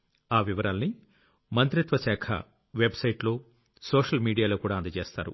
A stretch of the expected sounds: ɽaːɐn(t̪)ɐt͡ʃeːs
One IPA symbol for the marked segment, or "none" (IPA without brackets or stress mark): d̪